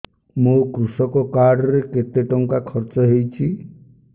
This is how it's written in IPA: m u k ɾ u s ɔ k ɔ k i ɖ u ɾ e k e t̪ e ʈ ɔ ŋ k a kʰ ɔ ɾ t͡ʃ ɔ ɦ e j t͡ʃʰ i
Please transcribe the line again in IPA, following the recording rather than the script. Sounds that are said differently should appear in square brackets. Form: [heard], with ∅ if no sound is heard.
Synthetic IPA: m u k ɾ u s ɔ k ɔ k [a] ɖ [ɔ] ɾ e k e t̪ e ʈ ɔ ŋ k a kʰ ɔ ɾ t͡ʃ ɔ ɦ e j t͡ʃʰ i